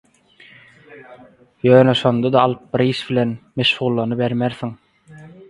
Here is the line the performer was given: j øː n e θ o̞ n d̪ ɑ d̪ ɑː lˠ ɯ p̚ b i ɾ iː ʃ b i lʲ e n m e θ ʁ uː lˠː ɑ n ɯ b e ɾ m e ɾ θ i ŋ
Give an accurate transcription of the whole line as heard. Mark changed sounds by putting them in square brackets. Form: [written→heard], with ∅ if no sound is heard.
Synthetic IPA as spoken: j øː n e [θ→ʃ] o̞ n d̪ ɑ d̪ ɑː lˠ ɯ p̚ b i ɾ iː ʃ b i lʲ e n m e [θ→ʃ] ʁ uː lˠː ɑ n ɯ b e ɾ m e ɾ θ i ŋ